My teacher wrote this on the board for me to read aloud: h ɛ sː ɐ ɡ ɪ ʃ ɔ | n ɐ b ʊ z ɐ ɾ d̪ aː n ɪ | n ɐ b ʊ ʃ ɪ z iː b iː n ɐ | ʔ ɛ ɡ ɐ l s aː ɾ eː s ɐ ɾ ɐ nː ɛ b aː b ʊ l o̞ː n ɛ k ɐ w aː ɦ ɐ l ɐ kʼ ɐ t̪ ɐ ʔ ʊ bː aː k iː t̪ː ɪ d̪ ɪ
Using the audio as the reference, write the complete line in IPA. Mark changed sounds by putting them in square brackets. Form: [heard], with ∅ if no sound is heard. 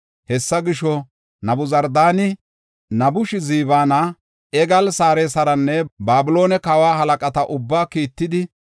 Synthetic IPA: h ɛ sː ɐ ɡ ɪ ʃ ɔ | n ɐ b ʊ z ɐ ɾ d̪ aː n ɪ | n ɐ b ʊ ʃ ɪ z iː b [aː] n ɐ | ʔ ɛ ɡ ɐ l s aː ɾ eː s ɐ ɾ ɐ nː ɛ b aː b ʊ l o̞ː n ɛ k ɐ w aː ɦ ɐ l ɐ kʼ ɐ t̪ ɐ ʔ ʊ bː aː k iː t̪ː ɪ d̪ ɪ